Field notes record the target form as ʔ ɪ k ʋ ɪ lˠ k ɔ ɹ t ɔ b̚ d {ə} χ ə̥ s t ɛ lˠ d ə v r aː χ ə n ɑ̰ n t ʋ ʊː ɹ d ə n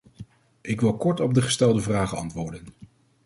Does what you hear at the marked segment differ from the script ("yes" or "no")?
no